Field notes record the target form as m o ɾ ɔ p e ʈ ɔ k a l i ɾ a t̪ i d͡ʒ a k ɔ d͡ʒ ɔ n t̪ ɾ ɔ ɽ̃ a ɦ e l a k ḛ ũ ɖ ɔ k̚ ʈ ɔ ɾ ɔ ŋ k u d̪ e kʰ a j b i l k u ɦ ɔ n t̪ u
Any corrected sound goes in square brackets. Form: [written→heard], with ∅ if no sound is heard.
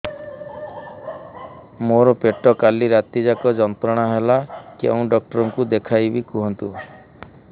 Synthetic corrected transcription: m o ɾ ɔ p e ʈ ɔ k a l i ɾ a t̪ i d͡ʒ a k ɔ d͡ʒ ɔ n t̪ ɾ ɔ ɽ̃ a ɦ e l a k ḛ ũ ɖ ɔ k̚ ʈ ɔ ɾ ɔ ŋ k u d̪ e kʰ a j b i [l→∅] k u ɦ ɔ n t̪ u